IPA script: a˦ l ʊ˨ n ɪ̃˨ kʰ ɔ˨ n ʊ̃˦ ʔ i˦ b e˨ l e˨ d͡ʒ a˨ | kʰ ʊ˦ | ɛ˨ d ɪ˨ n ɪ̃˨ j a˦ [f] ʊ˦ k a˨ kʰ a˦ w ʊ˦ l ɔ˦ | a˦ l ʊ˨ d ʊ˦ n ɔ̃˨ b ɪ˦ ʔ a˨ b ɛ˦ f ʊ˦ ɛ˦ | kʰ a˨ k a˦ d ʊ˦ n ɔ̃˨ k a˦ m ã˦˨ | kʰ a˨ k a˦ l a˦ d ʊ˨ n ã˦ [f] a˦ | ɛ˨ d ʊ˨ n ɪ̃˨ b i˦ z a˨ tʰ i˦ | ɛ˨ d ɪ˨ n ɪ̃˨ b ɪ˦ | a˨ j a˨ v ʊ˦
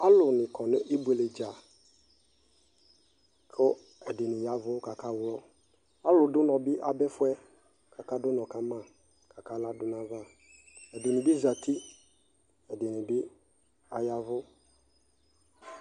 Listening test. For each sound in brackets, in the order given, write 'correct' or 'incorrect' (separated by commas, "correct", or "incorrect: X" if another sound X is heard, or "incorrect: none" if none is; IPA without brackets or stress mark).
incorrect: v, incorrect: v